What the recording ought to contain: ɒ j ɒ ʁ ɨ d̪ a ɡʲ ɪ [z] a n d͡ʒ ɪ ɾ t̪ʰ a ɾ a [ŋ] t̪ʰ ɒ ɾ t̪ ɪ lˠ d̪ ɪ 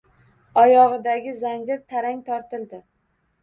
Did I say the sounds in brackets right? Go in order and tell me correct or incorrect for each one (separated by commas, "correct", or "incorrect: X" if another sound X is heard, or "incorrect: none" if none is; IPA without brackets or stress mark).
correct, correct